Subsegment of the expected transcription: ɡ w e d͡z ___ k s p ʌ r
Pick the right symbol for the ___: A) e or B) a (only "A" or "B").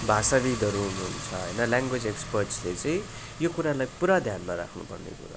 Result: A